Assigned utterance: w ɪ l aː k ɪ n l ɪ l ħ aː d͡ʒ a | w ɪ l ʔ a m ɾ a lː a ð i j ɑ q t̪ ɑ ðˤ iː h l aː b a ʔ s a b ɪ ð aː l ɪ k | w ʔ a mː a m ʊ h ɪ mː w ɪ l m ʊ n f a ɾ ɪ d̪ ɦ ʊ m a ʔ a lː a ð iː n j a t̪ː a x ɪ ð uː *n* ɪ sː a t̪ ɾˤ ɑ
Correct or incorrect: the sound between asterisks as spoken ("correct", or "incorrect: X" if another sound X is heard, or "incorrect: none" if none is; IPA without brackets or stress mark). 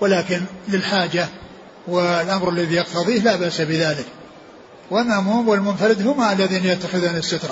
correct